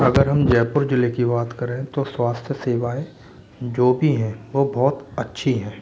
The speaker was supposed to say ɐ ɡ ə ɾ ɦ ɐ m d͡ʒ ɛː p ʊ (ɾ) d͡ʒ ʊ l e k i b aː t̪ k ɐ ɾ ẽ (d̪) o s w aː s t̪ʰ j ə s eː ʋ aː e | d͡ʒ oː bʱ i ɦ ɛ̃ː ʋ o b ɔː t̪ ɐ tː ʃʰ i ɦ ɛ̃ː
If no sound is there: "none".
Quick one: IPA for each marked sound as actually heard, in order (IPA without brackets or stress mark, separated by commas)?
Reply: ɾ, t̪